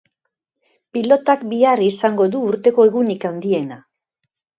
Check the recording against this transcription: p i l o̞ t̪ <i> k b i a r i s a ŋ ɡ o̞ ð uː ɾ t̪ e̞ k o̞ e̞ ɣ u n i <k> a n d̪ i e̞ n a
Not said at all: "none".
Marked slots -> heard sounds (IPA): a, k

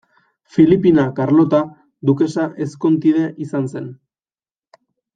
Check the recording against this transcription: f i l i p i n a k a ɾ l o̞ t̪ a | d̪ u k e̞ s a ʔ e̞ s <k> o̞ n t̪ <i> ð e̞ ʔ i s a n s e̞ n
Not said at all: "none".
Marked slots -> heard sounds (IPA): k, i

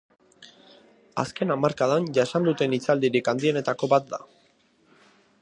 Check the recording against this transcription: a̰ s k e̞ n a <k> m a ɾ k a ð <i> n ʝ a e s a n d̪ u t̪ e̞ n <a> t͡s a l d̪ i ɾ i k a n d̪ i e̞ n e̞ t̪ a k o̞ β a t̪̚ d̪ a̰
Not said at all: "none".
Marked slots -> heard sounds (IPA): none, a, i

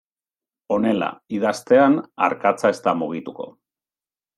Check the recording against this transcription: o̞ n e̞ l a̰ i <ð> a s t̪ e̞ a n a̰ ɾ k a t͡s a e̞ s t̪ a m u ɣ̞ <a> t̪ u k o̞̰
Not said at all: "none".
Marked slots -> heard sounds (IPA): ð, i

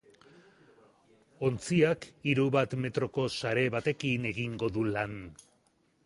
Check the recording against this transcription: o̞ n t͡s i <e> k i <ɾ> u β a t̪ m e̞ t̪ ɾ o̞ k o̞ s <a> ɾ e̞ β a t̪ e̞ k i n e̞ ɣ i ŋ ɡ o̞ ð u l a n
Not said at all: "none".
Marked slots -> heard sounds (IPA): a, ɾ, a

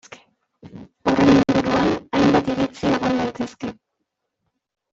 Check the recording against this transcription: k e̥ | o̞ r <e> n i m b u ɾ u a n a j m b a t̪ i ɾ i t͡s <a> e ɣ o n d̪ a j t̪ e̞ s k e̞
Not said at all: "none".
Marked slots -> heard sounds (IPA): e, i

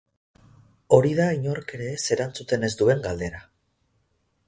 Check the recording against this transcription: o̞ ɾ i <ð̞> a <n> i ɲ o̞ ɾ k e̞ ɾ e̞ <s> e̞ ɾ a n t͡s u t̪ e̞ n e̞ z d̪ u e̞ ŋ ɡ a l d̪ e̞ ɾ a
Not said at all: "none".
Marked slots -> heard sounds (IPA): ð̞, none, s

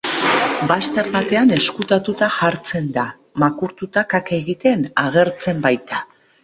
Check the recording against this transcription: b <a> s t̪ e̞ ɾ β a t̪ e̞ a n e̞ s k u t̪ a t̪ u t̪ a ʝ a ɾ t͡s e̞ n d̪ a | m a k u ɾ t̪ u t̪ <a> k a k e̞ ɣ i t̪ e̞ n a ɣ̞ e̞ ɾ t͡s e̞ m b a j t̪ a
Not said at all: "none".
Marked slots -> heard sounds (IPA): a, a

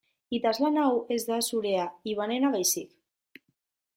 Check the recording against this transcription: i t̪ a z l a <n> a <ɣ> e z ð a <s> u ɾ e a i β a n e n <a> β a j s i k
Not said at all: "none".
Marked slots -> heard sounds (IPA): n, w, s, a

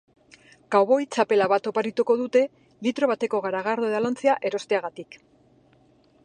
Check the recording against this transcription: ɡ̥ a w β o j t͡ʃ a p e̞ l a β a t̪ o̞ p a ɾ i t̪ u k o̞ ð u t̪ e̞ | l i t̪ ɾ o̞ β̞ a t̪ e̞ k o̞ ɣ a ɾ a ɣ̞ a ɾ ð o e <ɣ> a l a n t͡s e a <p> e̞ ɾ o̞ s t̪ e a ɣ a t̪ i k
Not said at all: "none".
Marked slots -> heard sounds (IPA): ð, ʔ

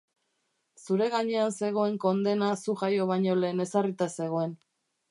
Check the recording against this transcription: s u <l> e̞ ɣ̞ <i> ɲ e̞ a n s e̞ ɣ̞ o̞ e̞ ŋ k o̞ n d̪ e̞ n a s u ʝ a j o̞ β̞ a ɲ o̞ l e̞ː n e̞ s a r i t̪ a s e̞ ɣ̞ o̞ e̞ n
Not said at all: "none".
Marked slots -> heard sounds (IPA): ɾ, a

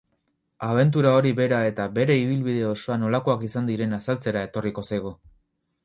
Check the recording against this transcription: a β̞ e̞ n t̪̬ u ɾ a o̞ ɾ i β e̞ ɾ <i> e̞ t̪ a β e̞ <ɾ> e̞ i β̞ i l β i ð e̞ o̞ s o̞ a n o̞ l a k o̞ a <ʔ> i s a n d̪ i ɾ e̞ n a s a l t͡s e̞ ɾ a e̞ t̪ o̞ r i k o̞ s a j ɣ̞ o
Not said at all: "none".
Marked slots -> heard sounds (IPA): a, ɾ, k

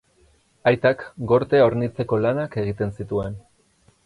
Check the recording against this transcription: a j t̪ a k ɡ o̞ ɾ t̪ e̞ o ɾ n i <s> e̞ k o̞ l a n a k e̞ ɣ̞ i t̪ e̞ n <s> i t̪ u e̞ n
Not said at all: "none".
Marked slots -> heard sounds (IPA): t͡s, s

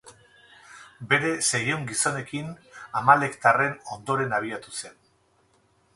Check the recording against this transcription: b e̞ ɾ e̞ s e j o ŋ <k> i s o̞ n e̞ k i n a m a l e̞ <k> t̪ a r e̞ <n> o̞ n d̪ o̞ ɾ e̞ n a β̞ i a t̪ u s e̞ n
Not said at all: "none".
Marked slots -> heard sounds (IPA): ɡ, k, n

